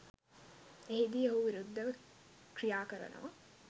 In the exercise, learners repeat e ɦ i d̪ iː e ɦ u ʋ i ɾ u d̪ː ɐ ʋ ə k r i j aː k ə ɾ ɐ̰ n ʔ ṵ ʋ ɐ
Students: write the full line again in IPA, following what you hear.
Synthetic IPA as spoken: e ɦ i d̪ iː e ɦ u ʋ i ɾ u d̪ː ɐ ʋ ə k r i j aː k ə ɾ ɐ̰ n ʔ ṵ ʋ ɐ